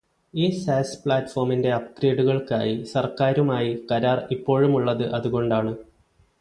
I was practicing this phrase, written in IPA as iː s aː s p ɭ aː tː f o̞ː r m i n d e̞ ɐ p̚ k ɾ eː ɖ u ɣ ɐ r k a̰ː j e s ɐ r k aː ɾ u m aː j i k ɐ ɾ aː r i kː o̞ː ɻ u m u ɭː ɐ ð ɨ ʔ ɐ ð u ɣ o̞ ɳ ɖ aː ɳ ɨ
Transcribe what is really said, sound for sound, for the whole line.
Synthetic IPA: iː s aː s p ɭ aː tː f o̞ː r m i n d e̞ ɐ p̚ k ɾ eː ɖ u ɣ ɐ ɭ k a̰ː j i s ɐ r k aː ɾ u m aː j i k ɐ ɾ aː r i pː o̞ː ɻ u m u ɭː ɐ ð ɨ ʔ ɐ ð u ɣ o̞ ɳ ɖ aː ɳ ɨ